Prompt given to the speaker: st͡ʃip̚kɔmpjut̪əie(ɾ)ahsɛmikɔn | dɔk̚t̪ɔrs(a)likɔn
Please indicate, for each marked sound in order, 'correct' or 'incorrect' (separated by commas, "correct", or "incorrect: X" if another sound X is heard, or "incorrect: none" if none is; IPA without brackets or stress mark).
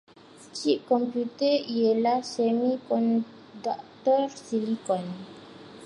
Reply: incorrect: l, incorrect: i